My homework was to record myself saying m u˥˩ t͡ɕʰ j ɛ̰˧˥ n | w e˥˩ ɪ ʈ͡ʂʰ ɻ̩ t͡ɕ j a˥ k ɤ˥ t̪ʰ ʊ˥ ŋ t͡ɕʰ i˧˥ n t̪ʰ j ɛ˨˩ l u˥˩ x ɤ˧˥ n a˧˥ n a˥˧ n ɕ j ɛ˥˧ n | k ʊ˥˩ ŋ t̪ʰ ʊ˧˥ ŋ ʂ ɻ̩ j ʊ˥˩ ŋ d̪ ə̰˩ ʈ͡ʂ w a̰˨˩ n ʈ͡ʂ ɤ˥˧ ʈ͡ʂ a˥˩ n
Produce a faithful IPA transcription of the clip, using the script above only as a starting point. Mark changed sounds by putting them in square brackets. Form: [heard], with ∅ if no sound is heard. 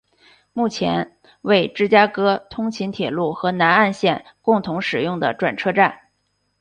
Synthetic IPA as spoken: m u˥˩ t͡ɕʰ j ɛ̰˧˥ n | w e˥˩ ɪ [ʈ͡ʂ] ɻ̩ t͡ɕ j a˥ k ɤ˥ t̪ʰ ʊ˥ ŋ t͡ɕʰ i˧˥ n t̪ʰ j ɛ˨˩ l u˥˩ x ɤ˧˥ n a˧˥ n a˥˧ n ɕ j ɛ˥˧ n | k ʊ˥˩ ŋ t̪ʰ ʊ˧˥ ŋ ʂ ɻ̩ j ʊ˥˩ ŋ d̪ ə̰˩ ʈ͡ʂ w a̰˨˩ n [ʈ͡ʂʰ] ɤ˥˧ ʈ͡ʂ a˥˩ n